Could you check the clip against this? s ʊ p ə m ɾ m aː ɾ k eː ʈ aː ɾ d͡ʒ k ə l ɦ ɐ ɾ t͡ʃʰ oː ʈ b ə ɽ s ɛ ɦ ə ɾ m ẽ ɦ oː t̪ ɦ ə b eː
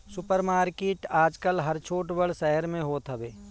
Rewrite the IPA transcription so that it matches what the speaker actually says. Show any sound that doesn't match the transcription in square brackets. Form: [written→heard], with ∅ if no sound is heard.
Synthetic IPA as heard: s ʊ p ə [m→∅] ɾ m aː ɾ k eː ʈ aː [ɾ→∅] d͡ʒ k ə l ɦ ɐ ɾ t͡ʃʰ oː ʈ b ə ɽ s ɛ ɦ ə ɾ m ẽ ɦ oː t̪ ɦ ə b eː